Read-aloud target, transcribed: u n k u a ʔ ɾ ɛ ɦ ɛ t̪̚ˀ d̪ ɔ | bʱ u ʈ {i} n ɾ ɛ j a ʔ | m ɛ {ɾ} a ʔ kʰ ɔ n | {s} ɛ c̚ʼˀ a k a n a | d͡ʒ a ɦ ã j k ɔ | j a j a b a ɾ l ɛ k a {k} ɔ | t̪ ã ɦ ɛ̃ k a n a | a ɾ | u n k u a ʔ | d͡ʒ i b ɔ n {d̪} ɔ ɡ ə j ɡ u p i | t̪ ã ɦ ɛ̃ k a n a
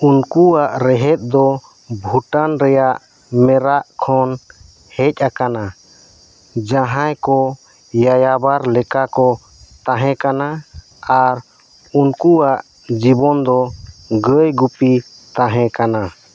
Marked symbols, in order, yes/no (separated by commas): no, yes, no, yes, yes